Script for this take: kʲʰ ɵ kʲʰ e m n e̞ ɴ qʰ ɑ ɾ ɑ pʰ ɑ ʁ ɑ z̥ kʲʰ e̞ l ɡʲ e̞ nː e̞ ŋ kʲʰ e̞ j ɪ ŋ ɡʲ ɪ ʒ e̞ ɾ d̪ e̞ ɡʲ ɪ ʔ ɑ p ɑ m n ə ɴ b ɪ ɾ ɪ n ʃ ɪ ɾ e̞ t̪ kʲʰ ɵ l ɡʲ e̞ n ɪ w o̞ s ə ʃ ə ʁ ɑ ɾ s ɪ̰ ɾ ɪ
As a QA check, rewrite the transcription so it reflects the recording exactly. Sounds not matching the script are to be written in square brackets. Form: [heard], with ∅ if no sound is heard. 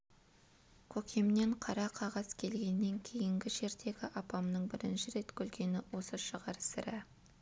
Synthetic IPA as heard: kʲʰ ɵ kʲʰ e m n e̞ ɴ qʰ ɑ ɾ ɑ [qʰ] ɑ ʁ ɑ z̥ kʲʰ e̞ l ɡʲ e̞ nː e̞ ŋ kʲʰ e̞ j ɪ ŋ ɡʲ ɪ ʒ e̞ ɾ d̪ e̞ ɡʲ ɪ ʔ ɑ p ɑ m n ə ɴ b ɪ ɾ ɪ n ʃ ɪ ɾ e̞ t̪ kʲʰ ɵ l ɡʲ e̞ n ɪ w o̞ s ə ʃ ə ʁ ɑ ɾ s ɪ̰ ɾ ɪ